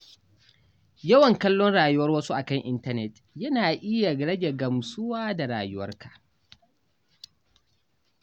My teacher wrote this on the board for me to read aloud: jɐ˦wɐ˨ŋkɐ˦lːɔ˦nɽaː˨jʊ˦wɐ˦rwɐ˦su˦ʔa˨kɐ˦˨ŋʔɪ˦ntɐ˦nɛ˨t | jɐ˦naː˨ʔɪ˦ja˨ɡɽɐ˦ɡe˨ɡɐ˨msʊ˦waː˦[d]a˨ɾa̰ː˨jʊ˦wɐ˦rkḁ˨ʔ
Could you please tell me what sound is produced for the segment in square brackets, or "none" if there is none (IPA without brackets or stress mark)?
d